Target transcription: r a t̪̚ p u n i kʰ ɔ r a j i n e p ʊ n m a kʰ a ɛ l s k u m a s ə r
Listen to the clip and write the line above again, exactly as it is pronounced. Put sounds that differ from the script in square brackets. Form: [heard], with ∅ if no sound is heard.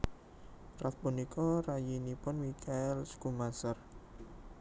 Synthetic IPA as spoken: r a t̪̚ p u n i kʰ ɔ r a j i n [i] p ʊ n m [i] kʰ a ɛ l s k u m a s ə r